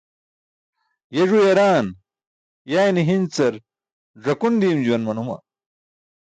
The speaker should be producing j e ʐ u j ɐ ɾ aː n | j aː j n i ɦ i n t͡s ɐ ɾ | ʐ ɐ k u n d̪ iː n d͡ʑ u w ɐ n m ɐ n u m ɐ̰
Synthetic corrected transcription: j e ʐ u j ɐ ɾ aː n | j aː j n i ɦ i n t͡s ɐ ɾ | ʐ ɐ k u n d̪ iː m d͡ʑ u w ɐ n m ɐ n u m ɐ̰